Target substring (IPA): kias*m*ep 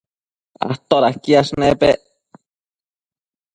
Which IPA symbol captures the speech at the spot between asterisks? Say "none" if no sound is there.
n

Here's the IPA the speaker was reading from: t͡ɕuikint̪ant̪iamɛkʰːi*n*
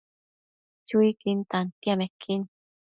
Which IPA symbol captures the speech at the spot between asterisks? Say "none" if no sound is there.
n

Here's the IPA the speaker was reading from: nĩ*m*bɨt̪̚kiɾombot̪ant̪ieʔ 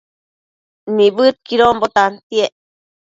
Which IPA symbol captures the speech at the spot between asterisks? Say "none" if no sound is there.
none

